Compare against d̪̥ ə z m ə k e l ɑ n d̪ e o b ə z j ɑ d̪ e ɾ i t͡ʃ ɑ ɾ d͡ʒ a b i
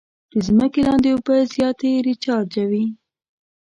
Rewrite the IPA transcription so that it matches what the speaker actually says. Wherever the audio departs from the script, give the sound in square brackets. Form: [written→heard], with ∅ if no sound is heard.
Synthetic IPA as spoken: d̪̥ ə z m ə k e l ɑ n d̪ e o b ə z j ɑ [d̪→t̪] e ɾ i t͡ʃ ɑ ɾ d͡ʒ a [b→w] i